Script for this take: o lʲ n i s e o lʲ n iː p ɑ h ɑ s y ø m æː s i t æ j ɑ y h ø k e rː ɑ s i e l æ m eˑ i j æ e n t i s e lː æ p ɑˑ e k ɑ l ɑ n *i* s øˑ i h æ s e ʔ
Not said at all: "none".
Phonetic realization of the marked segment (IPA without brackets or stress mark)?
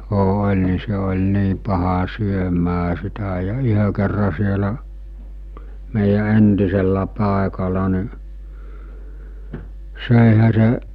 i